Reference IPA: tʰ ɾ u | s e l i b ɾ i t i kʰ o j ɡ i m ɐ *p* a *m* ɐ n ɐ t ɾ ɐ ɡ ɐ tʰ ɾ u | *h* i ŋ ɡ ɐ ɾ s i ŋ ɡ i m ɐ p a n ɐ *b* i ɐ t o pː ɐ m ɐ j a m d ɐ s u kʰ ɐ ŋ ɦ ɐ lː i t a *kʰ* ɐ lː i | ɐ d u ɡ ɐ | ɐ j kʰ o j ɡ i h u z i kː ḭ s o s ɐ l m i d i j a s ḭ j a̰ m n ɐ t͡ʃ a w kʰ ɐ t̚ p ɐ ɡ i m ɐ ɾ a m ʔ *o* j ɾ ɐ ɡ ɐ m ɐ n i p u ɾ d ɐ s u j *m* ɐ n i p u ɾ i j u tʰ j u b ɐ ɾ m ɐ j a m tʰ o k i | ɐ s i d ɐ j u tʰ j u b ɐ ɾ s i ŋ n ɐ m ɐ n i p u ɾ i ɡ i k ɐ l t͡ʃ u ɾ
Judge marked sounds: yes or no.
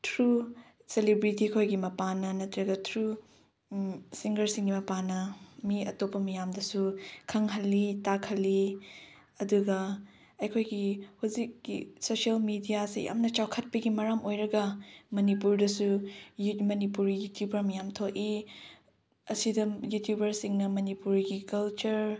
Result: yes, no, no, no, yes, yes, yes

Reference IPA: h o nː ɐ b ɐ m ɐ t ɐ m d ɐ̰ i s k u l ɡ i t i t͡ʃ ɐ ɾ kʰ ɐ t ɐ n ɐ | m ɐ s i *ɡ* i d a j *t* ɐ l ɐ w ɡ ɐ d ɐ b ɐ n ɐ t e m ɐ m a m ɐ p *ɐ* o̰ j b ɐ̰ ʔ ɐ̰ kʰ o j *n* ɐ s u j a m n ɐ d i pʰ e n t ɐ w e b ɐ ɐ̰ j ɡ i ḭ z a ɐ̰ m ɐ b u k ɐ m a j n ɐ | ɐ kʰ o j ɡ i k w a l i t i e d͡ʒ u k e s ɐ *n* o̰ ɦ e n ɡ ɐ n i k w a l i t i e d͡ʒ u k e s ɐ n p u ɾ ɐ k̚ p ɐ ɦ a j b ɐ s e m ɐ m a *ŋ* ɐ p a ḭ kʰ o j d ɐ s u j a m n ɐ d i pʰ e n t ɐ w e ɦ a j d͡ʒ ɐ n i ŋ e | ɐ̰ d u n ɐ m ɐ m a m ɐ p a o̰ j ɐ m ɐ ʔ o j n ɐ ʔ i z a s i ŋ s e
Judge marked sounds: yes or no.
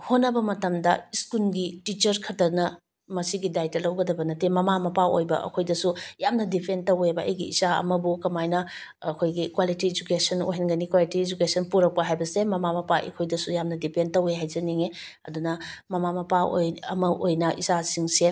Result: yes, yes, no, no, yes, no

